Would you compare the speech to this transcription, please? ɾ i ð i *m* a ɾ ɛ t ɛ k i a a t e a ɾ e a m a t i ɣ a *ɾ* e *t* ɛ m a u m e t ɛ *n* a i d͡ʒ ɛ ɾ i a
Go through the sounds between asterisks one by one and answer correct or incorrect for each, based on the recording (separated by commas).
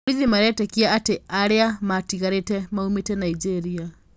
correct, correct, correct, correct